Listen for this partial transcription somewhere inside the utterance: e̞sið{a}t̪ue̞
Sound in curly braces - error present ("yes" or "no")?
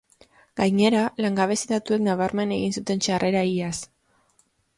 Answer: no